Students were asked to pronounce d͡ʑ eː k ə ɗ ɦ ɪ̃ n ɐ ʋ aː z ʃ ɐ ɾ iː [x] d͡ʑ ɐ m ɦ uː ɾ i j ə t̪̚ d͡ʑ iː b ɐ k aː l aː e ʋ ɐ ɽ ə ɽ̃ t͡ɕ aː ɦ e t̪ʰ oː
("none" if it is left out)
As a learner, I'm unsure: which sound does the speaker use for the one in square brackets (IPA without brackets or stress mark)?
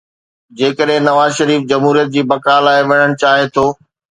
f